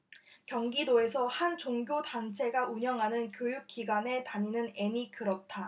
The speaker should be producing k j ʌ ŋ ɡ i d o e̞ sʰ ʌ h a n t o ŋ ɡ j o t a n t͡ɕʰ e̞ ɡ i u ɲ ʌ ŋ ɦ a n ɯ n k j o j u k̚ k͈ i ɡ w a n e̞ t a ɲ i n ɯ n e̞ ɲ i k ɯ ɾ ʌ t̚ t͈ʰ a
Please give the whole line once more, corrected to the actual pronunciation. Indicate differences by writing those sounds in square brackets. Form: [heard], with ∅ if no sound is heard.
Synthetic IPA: k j ʌ ŋ ɡ i d o e̞ sʰ ʌ h a n [t͡ɕ] o ŋ ɡ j o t a n t͡ɕʰ e̞ ɡ [a] u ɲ ʌ ŋ ɦ a n ɯ n k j o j u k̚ k͈ i ɡ w a n e̞ t a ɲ i n ɯ n e̞ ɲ i k ɯ ɾ ʌ t̚ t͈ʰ a